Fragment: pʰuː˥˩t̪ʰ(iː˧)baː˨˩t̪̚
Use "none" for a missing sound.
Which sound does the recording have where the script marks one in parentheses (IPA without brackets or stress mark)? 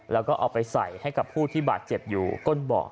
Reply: iː˥˩